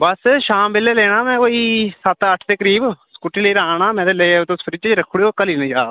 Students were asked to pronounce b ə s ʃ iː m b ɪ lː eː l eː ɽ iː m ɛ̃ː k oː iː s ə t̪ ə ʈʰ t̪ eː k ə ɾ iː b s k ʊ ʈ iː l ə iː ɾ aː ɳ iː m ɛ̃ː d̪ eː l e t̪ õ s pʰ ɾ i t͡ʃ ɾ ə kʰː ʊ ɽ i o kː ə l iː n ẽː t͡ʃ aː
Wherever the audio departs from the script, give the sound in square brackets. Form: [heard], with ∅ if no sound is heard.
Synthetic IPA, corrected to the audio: b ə s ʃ [aː] m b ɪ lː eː l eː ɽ [aː] m ɛ̃ː k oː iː s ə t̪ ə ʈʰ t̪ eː k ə ɾ iː b s k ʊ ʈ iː l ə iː ɾ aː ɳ [aː] m ɛ̃ː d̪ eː l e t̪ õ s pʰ ɾ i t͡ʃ ɾ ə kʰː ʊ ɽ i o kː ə l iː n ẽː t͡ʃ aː